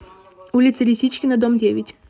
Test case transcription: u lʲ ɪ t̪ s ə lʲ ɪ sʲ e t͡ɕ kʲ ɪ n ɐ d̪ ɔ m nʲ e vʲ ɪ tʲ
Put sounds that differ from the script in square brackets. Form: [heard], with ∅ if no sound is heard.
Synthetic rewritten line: u lʲ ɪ t̪ s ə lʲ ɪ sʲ [i] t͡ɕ kʲ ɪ n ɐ d̪ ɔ m [dʲ] e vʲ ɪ tʲ